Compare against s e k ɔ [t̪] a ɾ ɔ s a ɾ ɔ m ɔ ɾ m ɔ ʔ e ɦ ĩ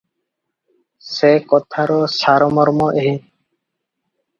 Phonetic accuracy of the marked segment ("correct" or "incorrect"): incorrect